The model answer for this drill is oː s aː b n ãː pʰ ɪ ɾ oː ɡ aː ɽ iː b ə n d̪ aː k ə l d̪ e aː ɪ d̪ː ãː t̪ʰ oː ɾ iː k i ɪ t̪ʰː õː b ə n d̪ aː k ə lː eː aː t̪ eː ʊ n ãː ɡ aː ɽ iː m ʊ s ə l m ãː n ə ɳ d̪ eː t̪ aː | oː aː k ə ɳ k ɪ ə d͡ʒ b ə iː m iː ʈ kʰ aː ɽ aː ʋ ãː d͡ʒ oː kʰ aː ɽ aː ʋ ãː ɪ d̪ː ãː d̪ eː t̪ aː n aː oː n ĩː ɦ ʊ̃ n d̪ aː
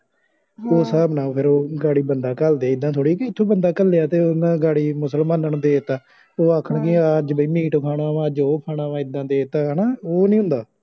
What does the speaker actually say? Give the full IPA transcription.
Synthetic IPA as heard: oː s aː b n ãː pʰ ɪ ɾ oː ɡ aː ɽ iː b ə n d̪ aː k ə l d̪ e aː ɪ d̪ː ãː t̪ʰ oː ɽ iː k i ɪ t̪ʰː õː b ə n d̪ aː k ə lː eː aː t̪ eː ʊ n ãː ɡ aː ɽ iː m ʊ s ə l m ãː n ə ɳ d̪ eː t̪ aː | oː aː kʰ ə ɳ k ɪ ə d͡ʒ b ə iː m iː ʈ kʰ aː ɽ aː ʋ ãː d͡ʒ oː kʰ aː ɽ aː ʋ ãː ɪ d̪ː ãː d̪ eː t̪ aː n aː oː n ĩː ɦ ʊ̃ n d̪ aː